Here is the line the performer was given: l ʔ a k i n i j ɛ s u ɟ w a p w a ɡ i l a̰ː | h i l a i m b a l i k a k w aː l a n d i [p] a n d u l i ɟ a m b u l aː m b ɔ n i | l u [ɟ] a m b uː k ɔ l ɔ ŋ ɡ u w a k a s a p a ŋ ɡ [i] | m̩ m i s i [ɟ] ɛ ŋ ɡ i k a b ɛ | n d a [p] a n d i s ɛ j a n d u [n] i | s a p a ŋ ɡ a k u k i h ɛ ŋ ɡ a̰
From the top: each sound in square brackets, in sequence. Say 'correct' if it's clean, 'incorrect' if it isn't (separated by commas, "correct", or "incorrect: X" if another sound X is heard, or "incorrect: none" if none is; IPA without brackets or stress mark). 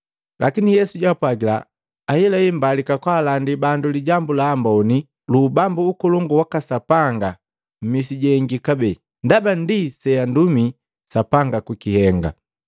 incorrect: b, incorrect: b, incorrect: a, correct, incorrect: b, incorrect: m